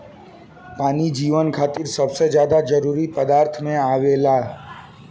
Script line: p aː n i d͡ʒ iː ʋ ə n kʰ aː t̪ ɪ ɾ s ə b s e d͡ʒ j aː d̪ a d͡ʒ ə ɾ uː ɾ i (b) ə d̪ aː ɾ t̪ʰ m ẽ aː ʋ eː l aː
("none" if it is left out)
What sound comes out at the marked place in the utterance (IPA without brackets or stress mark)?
p